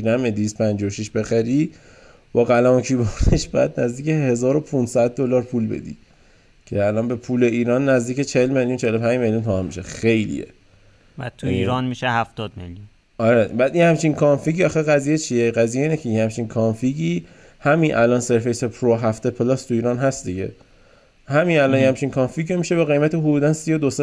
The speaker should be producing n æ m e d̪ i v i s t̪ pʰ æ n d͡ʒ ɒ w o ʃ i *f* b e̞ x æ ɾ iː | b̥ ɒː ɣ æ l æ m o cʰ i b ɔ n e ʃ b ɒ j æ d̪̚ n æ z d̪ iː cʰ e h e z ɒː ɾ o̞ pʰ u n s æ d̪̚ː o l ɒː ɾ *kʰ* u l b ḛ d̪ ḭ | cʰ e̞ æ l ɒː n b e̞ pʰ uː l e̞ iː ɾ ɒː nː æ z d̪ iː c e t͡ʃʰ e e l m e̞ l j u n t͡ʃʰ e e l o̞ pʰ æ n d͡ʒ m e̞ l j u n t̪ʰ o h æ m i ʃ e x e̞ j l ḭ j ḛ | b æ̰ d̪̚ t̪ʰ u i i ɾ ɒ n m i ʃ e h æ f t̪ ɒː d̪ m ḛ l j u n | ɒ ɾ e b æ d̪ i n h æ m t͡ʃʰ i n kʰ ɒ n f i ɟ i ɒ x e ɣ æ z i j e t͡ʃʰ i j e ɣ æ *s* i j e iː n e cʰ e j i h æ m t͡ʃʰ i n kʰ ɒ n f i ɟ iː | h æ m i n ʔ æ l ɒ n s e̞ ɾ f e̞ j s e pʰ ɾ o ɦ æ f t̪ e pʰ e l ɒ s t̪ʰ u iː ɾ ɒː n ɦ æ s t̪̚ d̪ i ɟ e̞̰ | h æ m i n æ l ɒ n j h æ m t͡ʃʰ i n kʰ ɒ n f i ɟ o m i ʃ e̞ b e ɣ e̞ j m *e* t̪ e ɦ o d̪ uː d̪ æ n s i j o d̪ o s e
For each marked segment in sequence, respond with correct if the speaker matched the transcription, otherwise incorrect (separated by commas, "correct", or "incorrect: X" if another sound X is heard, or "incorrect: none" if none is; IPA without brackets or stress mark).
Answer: incorrect: ʃ, incorrect: pʰ, incorrect: z, incorrect: æ